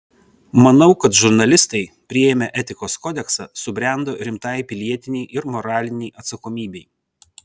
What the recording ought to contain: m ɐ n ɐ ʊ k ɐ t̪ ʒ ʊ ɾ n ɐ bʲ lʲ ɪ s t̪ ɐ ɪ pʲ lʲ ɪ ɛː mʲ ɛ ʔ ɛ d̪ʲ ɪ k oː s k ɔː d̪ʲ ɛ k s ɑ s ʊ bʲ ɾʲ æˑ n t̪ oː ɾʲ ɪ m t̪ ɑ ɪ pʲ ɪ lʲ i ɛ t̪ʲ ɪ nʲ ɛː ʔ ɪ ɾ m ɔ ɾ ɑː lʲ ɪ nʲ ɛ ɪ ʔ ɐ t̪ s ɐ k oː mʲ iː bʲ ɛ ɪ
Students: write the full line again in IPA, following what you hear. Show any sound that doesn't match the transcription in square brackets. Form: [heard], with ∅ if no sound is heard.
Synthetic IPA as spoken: m ɐ n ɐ ʊ k ɐ t̪ ʒ ʊ ɾ n ɐ [∅] lʲ ɪ s t̪ ɐ ɪ pʲ [ɾʲ] ɪ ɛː mʲ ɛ ʔ ɛ [t̪ʲ] ɪ k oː s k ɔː d̪ʲ ɛ k s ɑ s ʊ bʲ ɾʲ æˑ n [d̪] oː ɾʲ ɪ m t̪ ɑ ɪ pʲ ɪ lʲ i ɛ t̪ʲ ɪ nʲ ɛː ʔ ɪ ɾ m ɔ ɾ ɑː lʲ ɪ nʲ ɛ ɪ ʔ ɐ t̪ s ɐ k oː mʲ iː bʲ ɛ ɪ